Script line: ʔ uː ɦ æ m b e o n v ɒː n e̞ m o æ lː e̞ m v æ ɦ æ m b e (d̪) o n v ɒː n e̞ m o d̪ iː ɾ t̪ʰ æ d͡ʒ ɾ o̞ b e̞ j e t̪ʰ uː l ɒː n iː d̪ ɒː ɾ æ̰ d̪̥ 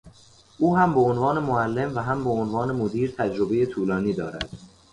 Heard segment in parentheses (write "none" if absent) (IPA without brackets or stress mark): none